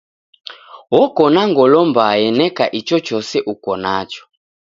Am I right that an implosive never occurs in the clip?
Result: yes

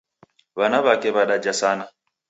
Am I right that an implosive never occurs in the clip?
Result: no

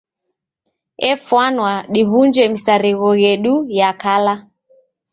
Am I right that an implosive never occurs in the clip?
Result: no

